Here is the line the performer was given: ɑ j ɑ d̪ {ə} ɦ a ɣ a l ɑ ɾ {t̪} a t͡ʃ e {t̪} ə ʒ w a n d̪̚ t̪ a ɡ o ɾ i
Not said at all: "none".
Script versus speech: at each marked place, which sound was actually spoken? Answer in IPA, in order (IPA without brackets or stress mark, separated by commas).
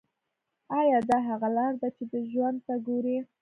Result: ɑ, d̪, d̪